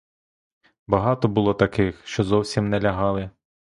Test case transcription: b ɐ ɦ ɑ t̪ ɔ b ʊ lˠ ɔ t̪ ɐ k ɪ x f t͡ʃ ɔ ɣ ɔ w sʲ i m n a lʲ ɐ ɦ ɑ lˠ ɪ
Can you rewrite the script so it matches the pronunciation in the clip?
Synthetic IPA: b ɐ ɦ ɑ t̪ ɔ b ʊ lˠ ɔ t̪ ɐ k ɪ x ʃ t͡ʃ ɔ z ɔ w sʲ i m n ɛ lʲ ɐ ɦ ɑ lˠ ɪ